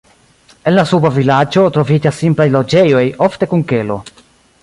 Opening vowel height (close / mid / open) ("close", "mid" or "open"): mid